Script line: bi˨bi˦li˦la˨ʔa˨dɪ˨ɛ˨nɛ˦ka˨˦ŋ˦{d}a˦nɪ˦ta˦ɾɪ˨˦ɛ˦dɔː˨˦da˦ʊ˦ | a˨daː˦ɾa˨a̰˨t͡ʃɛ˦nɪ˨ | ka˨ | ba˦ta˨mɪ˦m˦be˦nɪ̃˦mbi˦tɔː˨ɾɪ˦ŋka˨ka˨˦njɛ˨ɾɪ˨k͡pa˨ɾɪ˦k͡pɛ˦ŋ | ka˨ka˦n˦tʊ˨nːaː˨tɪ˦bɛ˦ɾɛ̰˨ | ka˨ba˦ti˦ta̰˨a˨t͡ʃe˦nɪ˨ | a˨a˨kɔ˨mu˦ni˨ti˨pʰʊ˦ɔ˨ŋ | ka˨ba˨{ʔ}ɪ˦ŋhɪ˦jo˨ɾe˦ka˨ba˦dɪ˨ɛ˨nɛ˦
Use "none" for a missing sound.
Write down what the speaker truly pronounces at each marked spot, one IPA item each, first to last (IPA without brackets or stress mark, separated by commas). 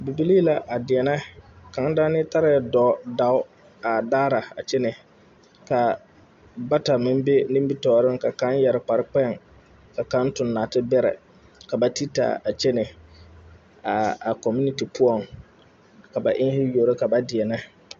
d, ʔ